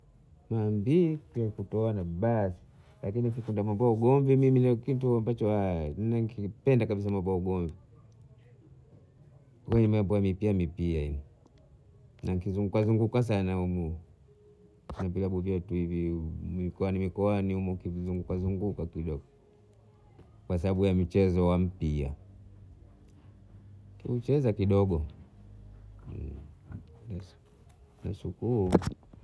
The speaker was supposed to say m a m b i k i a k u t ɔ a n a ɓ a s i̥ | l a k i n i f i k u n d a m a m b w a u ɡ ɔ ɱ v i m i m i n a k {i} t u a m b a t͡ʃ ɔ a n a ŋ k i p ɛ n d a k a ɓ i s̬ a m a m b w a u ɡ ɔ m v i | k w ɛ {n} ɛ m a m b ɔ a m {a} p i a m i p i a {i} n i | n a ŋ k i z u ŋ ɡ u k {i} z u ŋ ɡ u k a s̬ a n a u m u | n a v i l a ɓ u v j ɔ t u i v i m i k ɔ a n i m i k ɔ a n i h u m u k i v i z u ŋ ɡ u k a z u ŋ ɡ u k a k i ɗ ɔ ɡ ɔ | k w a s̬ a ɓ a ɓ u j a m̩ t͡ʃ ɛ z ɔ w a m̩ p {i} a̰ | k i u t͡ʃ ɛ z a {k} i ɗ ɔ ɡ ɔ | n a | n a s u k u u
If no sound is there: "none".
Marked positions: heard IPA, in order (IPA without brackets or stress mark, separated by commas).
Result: i, ɲ, i, i, a, i, k